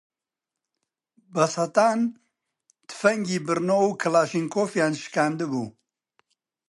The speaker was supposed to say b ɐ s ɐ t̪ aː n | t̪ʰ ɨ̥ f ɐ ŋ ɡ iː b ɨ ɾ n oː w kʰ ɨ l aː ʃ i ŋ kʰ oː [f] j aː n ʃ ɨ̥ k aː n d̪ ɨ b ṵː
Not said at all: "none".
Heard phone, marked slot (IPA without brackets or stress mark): f